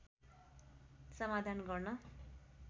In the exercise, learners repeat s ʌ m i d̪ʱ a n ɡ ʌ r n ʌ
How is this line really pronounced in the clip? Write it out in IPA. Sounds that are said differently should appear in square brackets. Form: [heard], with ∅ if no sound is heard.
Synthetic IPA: s ʌ m [a] d̪ʱ a n ɡ ʌ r n ʌ